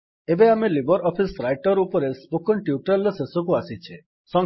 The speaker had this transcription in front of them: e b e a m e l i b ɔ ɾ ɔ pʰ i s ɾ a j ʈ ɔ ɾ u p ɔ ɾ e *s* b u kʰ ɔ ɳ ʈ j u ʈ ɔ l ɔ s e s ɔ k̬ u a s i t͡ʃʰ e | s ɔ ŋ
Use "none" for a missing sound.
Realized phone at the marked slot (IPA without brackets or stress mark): s